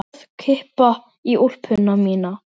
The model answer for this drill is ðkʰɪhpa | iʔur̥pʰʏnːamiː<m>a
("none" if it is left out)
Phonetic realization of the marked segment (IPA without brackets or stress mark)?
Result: n